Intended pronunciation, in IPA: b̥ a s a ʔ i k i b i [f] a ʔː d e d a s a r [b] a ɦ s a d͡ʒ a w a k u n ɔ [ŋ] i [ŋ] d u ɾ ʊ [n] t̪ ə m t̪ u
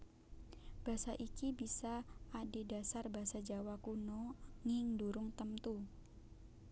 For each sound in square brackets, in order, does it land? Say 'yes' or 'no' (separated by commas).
no, yes, yes, yes, no